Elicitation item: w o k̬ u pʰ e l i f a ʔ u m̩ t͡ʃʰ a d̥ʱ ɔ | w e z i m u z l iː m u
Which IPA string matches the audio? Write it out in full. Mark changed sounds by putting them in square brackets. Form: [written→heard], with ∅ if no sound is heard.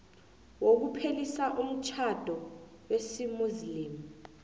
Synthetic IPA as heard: w o k̬ u pʰ e l i [f→s] a ʔ u m̩ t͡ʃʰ a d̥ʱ ɔ | w e [z→s] i m u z l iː m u